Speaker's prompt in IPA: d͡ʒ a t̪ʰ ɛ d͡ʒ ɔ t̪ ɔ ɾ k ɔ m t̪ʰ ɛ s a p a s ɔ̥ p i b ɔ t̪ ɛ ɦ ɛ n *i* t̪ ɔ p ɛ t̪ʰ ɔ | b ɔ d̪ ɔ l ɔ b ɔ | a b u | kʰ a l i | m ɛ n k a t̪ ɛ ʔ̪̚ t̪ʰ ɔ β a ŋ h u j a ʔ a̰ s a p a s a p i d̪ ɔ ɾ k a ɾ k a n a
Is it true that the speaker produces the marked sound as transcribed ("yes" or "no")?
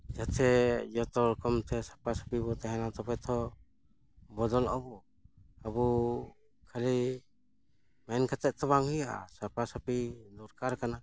no